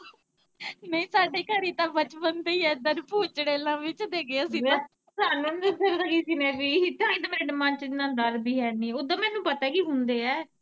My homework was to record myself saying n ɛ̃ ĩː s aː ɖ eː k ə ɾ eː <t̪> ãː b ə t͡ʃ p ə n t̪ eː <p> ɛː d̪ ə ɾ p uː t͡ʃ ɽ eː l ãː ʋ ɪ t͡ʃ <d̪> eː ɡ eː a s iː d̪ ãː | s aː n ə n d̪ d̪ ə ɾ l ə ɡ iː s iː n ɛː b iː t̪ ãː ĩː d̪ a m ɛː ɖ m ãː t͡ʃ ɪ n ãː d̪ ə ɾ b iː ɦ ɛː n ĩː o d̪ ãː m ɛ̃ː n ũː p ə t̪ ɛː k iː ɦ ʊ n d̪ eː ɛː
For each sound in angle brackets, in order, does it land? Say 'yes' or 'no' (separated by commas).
yes, no, yes